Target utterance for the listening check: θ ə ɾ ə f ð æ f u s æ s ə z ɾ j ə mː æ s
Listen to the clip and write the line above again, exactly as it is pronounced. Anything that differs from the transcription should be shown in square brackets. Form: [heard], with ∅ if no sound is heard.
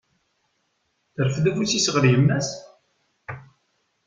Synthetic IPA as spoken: θ ə ɾ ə f ð æ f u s [i] s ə [ʁ] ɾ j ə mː æ s